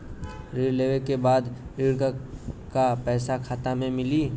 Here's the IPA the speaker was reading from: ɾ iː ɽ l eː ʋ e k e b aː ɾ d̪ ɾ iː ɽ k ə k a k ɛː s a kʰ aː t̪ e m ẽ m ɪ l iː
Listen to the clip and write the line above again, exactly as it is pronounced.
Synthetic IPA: ɾ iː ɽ l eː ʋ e k e b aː d̪ ɾ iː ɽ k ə k a p ɛː s a kʰ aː t̪ a m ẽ m ɪ l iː